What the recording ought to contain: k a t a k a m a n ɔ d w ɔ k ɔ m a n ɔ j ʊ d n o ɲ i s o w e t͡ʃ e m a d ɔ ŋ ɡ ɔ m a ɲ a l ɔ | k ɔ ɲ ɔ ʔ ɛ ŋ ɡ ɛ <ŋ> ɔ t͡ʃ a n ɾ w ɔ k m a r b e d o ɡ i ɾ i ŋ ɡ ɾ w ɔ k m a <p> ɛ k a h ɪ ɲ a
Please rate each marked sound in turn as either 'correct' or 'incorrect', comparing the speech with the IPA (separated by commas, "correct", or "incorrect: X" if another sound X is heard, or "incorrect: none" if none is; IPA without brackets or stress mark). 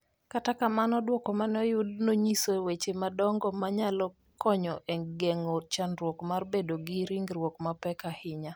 correct, correct